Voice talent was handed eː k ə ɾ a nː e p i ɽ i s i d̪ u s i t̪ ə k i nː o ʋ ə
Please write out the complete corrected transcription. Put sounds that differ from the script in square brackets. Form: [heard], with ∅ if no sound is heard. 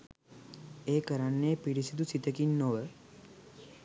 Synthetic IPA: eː k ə ɾ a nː e p i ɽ i s i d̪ u s i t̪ ə k i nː o ʋ ə

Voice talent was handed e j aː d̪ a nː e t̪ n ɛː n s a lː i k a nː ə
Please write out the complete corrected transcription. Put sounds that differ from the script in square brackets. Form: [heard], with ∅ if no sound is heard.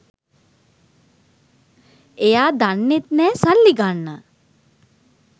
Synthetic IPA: e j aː d̪ a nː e t̪ n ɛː [∅] s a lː i [ɡ] a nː ə

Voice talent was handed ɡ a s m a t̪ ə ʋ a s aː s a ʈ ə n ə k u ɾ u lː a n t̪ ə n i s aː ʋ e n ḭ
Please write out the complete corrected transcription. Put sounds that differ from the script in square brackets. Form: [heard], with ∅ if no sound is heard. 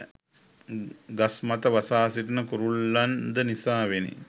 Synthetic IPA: ɡ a s m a t̪ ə ʋ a s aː s [i] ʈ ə n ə k u ɾ u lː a n [d̪] ə n i s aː ʋ e n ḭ

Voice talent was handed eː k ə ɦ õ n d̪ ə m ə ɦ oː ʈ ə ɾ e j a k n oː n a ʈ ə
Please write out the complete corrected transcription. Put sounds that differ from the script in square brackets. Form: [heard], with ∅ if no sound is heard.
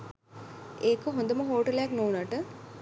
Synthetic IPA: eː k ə ɦ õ n d̪ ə m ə ɦ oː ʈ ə [l] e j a k n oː n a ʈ ə

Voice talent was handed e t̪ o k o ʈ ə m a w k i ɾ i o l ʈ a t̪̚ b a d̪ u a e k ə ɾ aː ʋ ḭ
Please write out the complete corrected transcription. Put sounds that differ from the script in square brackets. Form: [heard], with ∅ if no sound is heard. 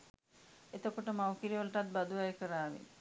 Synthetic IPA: e t̪ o k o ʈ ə m a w k i ɾ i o l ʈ a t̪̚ b a d̪ u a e k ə ɾ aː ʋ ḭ

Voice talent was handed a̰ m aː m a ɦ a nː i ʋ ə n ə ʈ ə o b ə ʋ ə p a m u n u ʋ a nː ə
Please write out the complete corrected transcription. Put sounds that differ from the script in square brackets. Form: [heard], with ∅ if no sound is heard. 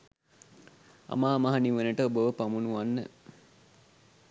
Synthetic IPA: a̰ m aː m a ɦ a [n] i ʋ ə n ə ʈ ə o b ə ʋ ə p a m u n u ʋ a nː ə

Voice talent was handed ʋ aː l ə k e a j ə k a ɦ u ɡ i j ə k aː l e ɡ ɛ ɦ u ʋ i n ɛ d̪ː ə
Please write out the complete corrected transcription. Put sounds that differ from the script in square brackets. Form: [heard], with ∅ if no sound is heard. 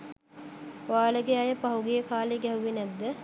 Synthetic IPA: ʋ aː l ə [ɡ] e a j ə [p] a ɦ u ɡ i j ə k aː l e ɡ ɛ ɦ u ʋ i n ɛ d̪ː ə

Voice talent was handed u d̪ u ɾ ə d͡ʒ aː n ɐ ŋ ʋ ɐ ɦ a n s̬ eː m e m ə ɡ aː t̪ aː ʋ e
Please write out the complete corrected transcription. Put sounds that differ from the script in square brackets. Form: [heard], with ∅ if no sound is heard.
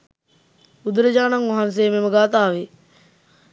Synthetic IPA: u d̪ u ɾ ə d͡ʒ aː n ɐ ŋ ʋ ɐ ɦ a n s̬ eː m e m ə ɡ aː t̪ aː ʋ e

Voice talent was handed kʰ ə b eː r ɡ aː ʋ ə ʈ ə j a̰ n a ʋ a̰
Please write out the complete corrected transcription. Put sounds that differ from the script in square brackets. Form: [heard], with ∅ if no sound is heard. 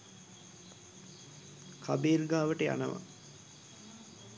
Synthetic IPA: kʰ [a] b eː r ɡ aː ʋ ə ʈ ə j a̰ n [ə] ʋ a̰

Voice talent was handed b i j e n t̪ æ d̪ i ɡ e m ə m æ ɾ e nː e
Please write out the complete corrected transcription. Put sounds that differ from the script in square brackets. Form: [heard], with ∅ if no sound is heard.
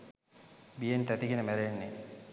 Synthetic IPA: b i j e n t̪ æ [t̪] i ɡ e [n] ə m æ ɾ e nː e

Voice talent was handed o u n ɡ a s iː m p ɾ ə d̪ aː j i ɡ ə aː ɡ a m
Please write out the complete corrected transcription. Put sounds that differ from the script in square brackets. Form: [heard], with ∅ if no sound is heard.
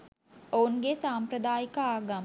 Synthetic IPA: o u n ɡ [e] s [aː] m p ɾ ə d̪ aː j i [k] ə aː ɡ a m

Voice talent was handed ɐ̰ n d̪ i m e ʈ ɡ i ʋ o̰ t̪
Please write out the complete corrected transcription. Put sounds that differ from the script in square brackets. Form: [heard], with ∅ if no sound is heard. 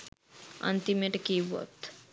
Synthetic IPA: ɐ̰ n [t̪] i m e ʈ [k] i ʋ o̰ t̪

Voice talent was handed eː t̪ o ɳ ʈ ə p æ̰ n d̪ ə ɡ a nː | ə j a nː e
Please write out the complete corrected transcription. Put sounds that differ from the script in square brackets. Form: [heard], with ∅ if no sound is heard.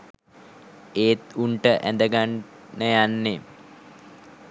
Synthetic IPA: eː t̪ [u] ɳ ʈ ə [ʔ] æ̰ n d̪ ə ɡ a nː | ə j a nː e

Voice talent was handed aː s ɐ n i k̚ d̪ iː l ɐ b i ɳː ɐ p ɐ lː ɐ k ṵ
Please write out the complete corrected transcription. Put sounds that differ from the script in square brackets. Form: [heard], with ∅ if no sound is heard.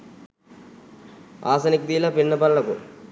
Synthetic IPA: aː s ɐ n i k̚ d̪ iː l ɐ [p] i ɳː ɐ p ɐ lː ɐ k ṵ

